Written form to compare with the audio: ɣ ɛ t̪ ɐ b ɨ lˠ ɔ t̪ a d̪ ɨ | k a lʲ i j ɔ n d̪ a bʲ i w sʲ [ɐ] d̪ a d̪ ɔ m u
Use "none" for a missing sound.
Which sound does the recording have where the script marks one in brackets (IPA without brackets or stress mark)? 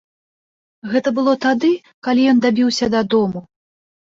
ɐ